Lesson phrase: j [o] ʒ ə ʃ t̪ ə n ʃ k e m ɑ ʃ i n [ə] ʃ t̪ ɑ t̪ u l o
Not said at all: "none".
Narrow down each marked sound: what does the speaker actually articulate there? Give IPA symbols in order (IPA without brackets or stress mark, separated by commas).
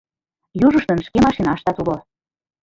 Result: u, ɑ